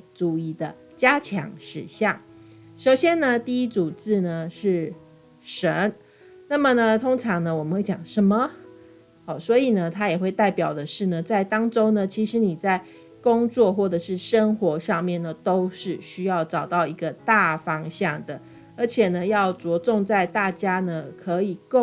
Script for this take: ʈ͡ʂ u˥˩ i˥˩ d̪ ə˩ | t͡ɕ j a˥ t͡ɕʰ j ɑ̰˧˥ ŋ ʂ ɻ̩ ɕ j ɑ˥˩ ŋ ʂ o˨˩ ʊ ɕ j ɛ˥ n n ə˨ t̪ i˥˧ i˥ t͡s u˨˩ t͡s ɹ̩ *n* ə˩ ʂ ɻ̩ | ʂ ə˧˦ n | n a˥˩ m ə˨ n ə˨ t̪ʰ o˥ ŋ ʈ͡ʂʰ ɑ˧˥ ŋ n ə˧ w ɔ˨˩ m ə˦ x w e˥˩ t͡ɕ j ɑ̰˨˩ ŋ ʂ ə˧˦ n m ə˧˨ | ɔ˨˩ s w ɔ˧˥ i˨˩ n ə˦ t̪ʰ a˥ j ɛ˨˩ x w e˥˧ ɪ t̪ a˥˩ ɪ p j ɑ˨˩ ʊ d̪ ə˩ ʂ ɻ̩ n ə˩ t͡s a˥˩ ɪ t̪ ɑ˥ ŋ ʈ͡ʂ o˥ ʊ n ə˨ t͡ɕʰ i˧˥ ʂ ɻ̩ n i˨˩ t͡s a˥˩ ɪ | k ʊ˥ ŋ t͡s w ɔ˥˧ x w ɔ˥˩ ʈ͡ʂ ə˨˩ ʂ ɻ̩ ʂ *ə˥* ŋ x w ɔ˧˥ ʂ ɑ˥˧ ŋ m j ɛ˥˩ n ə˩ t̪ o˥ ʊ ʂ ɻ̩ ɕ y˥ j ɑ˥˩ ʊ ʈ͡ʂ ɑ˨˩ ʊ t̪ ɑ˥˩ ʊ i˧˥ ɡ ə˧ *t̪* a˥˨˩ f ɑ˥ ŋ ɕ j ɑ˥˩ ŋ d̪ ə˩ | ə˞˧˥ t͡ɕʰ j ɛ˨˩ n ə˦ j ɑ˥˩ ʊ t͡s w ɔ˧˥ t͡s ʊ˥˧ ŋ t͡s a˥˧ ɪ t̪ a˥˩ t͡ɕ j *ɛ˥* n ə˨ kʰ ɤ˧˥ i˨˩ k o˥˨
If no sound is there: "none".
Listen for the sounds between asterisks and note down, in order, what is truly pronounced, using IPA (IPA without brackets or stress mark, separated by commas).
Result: n, ə˥, t̪, a˥